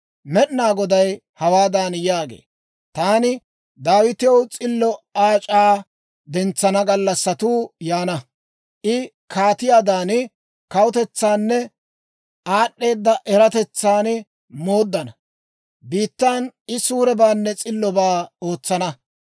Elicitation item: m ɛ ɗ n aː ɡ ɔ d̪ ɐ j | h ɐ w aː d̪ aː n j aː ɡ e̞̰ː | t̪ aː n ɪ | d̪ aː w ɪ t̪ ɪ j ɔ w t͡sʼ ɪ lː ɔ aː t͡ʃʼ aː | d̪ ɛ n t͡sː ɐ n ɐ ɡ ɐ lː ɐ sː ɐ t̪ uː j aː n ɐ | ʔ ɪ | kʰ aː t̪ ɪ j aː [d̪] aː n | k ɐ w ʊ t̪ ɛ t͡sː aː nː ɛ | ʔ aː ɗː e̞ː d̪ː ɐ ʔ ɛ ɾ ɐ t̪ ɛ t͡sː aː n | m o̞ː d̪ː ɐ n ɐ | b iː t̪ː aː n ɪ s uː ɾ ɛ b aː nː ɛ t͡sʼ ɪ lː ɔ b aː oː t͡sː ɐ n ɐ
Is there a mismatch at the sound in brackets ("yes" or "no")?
no